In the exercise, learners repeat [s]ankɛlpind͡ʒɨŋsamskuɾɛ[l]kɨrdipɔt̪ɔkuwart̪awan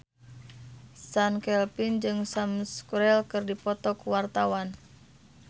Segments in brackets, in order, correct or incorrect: correct, correct

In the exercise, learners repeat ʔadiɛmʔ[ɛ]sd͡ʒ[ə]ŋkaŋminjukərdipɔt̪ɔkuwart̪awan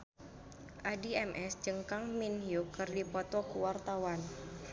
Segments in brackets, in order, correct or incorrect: correct, correct

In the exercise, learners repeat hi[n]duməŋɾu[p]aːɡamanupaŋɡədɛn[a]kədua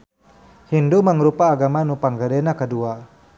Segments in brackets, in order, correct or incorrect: correct, correct, correct

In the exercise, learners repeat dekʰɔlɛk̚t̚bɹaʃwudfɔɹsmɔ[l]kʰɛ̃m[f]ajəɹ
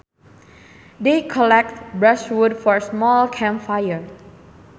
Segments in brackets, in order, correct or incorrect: correct, correct

